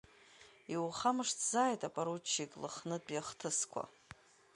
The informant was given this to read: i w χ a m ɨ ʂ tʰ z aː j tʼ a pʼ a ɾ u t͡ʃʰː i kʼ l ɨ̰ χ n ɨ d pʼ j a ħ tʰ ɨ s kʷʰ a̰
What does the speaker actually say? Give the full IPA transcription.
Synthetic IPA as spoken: i w χ a m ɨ ʂ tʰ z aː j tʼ a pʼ a ɾ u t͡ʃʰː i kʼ l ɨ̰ χ n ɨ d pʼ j a χ tʰ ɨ s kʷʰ a̰